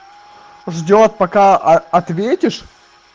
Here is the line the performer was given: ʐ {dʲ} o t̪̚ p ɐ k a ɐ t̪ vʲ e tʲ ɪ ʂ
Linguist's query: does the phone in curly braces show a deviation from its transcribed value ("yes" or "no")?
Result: no